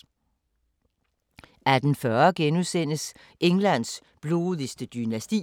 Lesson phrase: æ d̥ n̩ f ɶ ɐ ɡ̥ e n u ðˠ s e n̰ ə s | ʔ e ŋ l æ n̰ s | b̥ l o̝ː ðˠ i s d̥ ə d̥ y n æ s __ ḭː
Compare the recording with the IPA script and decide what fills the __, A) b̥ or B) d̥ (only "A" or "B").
B